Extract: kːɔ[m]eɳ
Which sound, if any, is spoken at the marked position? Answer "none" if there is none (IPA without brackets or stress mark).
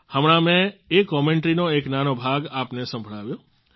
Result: m